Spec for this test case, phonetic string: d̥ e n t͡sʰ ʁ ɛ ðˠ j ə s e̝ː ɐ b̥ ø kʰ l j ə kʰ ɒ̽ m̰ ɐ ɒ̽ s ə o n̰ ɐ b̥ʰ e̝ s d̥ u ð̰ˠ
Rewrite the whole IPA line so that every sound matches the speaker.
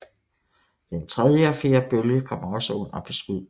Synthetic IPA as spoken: d̥ e n t͡sʰ ʁ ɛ ðˠ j ə f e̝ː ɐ b̥ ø l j ə kʰ ɒ̽ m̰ ɐ ɒ̽ s ə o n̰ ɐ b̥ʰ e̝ s ɡ̥ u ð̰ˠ